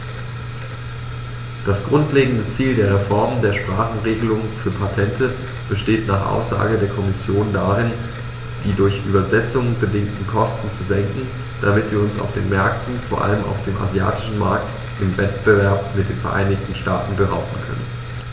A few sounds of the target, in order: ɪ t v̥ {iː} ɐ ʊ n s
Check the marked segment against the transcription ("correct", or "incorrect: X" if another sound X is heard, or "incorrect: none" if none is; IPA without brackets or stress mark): correct